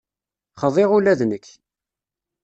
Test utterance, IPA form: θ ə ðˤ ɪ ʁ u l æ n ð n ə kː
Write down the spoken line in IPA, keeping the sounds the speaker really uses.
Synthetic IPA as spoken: χ ə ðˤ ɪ ʁ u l æ ð n ə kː